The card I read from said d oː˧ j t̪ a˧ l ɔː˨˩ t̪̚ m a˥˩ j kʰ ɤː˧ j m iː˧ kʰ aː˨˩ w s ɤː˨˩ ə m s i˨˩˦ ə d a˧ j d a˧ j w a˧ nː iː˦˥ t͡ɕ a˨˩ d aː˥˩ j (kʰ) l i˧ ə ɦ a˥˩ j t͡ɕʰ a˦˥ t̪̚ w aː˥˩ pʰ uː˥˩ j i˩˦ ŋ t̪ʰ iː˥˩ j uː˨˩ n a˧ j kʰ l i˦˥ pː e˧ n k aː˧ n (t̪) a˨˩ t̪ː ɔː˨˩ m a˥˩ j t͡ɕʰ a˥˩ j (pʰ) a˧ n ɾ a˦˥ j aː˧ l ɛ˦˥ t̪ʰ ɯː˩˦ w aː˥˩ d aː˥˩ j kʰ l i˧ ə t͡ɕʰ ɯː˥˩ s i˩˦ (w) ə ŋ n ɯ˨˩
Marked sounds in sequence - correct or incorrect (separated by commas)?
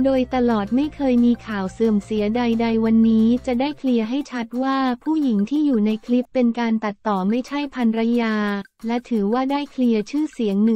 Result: correct, correct, correct, incorrect